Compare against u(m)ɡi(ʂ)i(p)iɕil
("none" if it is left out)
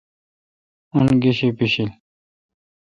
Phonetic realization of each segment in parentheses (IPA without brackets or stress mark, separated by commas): n, ɕ, p